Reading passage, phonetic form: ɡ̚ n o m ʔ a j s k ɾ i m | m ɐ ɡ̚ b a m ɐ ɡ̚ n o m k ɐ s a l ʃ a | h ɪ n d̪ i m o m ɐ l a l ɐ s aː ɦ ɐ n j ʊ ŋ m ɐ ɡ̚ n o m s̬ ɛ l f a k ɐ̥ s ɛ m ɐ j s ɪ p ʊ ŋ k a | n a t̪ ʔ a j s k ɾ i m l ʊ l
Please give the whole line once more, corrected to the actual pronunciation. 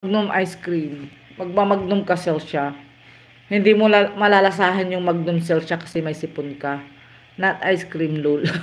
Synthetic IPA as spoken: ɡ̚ n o m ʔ a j s k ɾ i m | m ɐ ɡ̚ m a m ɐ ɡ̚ n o m k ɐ s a l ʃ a | h ɪ n d̪ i m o m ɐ l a l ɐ s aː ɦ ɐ n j ʊ ŋ m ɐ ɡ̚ n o m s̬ ɛ l ʃ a k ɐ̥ s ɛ m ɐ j s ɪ p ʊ n k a | n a t̪ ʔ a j s k ɾ i m l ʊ l